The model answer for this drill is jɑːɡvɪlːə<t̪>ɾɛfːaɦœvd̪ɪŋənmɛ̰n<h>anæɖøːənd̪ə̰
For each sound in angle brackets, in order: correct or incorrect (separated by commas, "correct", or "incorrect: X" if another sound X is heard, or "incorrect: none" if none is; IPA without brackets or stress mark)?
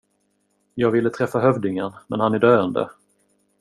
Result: incorrect: t̪ʰ, correct